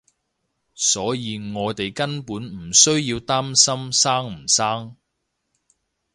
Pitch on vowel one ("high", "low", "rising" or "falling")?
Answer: rising